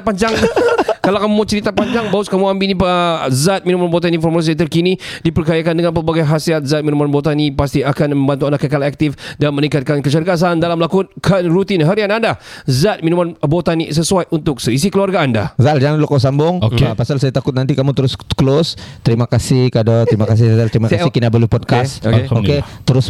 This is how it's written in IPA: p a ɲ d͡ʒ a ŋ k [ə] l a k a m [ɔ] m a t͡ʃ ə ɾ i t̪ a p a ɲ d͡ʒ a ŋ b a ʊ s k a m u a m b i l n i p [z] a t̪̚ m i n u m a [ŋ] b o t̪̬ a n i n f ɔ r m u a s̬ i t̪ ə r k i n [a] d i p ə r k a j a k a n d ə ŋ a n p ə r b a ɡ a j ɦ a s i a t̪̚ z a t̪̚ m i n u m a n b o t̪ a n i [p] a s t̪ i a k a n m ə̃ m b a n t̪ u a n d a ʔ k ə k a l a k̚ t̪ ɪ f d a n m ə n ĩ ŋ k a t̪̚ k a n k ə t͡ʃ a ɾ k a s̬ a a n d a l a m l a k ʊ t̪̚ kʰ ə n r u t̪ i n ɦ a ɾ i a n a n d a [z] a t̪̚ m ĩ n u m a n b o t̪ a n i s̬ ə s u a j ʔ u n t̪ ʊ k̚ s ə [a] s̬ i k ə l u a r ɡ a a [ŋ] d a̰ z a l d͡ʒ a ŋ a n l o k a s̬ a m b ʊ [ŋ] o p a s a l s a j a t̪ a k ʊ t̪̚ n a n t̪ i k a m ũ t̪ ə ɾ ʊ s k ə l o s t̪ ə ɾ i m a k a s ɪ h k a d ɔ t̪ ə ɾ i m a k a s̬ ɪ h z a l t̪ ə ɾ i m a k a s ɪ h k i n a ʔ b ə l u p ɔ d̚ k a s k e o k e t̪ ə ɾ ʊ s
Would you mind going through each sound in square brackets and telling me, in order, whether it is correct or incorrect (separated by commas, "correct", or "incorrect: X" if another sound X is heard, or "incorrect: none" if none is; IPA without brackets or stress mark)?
incorrect: a, incorrect: u, correct, incorrect: n, incorrect: i, correct, correct, incorrect: i, incorrect: n, correct